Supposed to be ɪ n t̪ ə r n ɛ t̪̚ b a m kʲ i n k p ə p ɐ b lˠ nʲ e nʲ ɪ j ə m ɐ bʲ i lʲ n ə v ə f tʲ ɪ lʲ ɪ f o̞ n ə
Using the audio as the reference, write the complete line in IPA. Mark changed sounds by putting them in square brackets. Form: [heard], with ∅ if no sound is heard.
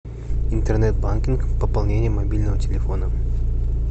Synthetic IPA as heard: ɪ n t̪ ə r n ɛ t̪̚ b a [n] kʲ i n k p ə p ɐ [∅] lˠ nʲ e nʲ ɪ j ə m ɐ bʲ i lʲ n ə v ə [∅] tʲ ɪ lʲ ɪ f o̞ n ə

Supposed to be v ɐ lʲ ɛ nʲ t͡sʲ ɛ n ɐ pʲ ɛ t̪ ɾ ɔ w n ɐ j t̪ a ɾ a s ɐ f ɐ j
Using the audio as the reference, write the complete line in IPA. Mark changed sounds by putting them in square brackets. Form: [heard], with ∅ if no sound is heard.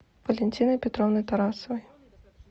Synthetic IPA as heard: v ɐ lʲ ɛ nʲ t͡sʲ [i] n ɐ pʲ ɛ t̪ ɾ ɔ w n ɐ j t̪ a ɾ a s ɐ [v] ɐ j

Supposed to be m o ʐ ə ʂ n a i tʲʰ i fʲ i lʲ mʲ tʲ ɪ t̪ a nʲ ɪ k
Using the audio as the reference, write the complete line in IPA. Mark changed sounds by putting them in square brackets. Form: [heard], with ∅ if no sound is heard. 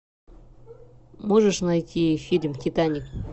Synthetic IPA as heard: m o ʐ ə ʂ n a [j] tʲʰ i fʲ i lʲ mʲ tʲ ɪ t̪ a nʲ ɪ k

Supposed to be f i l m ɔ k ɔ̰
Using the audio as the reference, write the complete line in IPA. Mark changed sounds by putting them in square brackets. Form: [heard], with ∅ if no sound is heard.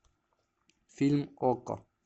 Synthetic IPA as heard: f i l m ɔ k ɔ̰

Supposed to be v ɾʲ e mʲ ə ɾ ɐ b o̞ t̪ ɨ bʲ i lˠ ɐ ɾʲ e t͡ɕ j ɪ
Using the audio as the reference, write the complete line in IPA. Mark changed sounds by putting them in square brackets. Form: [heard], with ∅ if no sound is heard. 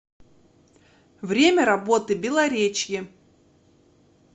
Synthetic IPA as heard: v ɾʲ e mʲ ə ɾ ɐ b o̞ t̪ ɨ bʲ [ɪ] lˠ ɐ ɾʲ e t͡ɕ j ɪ

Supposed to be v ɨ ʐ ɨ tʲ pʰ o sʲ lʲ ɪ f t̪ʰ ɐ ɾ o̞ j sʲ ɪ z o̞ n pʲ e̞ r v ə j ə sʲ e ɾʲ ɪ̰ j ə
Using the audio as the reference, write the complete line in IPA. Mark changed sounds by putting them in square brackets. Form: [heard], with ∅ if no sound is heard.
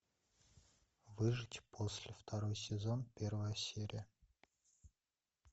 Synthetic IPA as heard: v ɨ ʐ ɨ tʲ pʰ o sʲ lʲ ɪ f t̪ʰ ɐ ɾ o̞ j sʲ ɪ z o̞ n pʲ e̞ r v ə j ə sʲ e ɾʲ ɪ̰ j ə

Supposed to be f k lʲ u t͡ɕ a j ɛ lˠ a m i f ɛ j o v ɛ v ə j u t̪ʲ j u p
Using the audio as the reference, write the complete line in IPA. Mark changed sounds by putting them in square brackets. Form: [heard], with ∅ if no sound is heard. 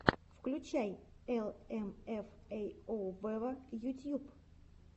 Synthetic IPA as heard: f k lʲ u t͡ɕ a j ɛ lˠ [ɛ] m [ɛ] f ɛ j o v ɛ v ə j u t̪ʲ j u p

